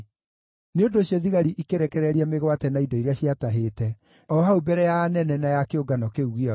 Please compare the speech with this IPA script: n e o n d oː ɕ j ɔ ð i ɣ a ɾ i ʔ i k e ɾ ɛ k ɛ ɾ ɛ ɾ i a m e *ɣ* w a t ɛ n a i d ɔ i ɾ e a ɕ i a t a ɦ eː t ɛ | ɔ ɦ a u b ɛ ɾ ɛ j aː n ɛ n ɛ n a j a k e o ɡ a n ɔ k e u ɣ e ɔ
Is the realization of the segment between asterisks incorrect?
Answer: no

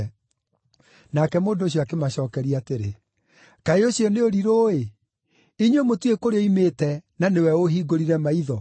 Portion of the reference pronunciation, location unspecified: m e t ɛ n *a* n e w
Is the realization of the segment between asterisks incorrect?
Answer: no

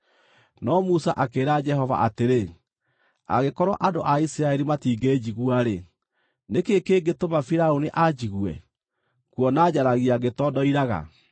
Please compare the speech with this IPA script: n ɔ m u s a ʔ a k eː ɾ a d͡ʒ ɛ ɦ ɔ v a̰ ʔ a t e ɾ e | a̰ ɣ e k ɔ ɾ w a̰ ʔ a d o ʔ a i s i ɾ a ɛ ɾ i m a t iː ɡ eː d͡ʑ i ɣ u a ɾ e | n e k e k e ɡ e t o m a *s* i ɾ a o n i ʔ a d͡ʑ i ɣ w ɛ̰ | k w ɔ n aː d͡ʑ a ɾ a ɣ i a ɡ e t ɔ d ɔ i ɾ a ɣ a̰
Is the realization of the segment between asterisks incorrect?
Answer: yes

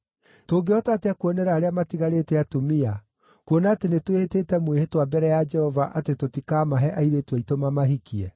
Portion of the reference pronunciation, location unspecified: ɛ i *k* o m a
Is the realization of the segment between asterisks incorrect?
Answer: yes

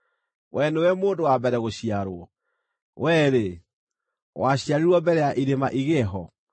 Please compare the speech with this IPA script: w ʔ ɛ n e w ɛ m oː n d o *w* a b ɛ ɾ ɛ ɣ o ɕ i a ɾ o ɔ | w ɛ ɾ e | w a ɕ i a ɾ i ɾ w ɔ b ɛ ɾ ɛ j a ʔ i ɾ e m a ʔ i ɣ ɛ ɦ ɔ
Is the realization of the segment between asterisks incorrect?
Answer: no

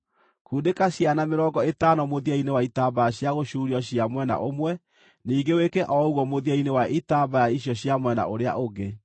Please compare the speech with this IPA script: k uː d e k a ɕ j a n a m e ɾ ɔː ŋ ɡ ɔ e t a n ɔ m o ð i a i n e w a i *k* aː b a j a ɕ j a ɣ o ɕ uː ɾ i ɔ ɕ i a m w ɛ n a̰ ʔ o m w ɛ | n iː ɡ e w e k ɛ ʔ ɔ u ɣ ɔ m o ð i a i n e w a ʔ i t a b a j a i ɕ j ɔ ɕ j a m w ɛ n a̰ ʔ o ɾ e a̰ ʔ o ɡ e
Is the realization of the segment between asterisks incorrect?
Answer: yes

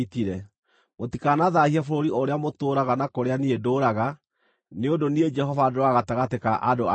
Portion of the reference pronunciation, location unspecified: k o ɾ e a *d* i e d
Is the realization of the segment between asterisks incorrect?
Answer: yes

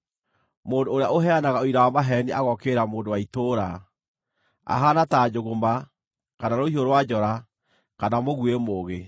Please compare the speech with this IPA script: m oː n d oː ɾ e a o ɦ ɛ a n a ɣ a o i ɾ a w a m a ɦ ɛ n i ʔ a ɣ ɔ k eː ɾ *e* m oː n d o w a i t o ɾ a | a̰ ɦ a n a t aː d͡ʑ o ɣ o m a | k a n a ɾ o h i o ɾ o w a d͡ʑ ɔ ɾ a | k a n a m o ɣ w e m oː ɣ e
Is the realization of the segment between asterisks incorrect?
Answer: yes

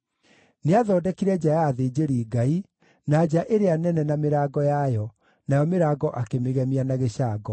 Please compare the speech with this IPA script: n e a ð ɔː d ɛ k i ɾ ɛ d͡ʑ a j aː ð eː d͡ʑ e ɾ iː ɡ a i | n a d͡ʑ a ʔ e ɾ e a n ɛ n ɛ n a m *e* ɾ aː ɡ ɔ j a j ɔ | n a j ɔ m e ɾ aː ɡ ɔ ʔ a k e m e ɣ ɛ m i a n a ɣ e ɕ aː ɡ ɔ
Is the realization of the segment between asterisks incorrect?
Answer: no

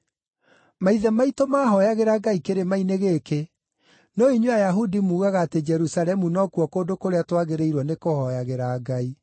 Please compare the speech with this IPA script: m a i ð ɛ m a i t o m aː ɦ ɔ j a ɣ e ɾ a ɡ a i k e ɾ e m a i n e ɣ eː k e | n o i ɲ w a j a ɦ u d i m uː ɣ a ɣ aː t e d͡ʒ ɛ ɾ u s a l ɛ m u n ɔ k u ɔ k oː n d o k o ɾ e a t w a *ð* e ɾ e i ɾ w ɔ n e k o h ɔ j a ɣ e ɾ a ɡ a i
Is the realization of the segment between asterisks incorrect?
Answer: yes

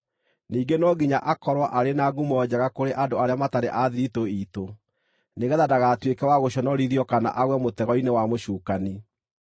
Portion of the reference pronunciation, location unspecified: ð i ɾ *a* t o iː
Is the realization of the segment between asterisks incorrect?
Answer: yes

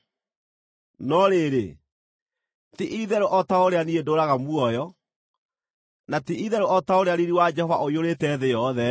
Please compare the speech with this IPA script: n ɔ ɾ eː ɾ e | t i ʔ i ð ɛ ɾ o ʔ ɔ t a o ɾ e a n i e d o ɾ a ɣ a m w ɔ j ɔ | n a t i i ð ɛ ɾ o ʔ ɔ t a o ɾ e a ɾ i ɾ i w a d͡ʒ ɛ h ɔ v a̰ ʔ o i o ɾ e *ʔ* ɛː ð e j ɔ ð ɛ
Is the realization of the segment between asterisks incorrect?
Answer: yes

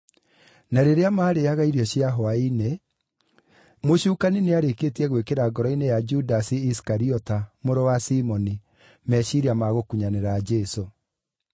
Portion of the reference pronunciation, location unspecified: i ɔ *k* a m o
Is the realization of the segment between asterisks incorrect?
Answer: yes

